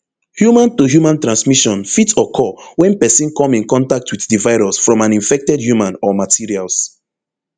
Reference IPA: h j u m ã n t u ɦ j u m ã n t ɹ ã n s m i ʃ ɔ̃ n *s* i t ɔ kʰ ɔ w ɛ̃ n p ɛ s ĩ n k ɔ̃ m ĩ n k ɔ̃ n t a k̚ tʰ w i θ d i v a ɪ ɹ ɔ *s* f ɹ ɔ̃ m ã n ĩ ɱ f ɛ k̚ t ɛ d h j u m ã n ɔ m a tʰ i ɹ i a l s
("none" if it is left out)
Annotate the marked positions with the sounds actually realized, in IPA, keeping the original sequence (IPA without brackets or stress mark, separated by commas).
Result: f, s